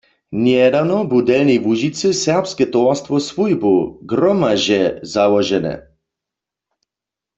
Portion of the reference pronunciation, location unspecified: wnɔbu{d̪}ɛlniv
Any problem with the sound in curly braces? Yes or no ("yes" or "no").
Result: no